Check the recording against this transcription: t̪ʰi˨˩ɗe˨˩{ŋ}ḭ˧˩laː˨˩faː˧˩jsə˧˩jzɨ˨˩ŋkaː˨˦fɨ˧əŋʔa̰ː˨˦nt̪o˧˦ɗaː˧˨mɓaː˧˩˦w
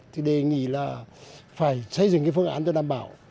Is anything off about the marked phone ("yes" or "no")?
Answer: no